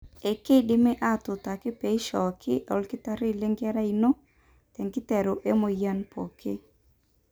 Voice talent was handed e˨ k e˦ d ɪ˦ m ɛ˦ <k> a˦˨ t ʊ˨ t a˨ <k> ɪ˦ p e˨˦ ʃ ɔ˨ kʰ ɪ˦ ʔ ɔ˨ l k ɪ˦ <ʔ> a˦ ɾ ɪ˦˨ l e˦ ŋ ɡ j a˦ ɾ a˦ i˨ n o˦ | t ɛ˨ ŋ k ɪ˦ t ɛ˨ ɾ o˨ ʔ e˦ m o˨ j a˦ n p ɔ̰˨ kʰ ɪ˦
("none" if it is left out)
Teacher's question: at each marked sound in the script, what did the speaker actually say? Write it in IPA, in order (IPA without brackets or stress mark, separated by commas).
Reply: ʔ, k, t